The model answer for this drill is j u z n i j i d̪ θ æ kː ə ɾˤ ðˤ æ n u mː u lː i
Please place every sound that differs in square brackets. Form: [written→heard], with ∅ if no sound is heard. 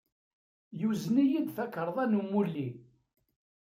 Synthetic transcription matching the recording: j u z n i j i d̪ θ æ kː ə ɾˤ ðˤ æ n u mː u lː i